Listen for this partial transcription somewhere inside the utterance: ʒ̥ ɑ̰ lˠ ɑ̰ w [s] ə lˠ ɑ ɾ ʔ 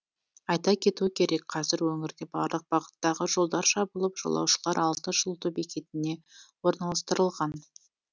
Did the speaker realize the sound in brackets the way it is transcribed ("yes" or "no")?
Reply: no